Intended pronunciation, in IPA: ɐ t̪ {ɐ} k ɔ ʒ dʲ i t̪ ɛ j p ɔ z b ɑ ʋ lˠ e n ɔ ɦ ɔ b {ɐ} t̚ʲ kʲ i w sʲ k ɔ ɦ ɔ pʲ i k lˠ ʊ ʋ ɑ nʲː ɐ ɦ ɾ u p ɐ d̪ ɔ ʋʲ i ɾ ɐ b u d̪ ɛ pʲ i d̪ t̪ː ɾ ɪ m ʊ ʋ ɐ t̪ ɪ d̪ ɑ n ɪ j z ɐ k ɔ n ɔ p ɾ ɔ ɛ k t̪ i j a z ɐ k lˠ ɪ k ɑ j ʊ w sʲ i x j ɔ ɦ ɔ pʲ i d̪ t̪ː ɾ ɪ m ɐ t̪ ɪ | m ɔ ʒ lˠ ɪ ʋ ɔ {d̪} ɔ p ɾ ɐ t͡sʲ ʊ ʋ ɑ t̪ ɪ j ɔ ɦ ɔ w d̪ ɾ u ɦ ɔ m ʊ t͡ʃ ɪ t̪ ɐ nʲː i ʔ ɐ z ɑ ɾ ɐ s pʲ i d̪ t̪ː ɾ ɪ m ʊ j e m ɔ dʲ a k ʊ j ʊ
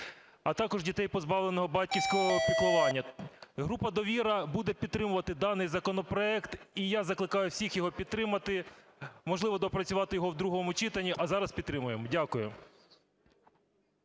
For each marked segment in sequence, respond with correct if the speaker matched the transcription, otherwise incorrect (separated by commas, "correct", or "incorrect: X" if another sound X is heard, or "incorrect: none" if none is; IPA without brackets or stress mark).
incorrect: ɑ, incorrect: ɑ, correct